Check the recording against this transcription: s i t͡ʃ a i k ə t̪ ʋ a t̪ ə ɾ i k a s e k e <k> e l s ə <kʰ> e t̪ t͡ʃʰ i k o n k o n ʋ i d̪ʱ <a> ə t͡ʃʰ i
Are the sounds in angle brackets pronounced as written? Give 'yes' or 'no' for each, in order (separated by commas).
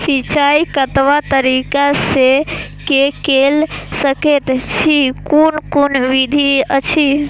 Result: yes, no, no